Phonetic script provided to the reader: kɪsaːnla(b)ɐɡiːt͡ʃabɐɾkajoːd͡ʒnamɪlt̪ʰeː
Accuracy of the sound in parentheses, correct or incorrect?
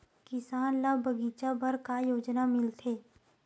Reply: correct